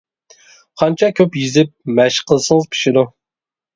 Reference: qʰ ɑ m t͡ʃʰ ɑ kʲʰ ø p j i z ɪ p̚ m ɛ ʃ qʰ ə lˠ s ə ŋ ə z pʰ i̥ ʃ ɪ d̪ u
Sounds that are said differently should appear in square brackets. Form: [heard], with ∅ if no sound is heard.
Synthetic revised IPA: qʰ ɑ [n] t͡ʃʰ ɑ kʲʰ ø p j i z ɪ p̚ m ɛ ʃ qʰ ə lˠ s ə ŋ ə z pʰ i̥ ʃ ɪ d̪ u